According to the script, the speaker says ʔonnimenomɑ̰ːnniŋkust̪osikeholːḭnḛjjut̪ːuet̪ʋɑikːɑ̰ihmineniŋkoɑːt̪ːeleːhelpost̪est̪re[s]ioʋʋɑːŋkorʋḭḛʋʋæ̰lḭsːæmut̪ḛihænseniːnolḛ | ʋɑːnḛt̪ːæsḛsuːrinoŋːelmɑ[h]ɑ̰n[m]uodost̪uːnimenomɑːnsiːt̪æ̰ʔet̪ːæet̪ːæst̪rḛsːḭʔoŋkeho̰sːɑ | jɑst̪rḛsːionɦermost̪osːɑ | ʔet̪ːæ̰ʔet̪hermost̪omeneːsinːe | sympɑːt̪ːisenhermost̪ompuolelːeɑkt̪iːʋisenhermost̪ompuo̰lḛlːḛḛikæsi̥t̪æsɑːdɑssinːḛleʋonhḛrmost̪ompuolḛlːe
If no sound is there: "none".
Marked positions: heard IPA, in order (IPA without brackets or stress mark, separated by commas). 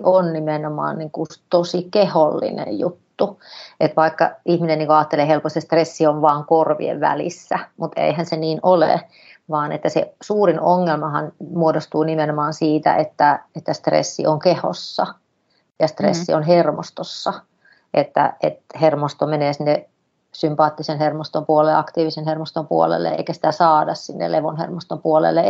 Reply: sː, h, m